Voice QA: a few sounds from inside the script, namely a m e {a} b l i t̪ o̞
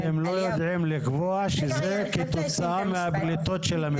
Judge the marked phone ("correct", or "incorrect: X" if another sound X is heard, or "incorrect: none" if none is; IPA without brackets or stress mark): correct